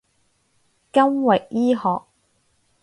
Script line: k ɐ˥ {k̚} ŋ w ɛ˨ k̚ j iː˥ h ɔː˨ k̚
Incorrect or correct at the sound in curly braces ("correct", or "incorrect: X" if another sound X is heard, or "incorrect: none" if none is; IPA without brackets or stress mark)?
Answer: incorrect: none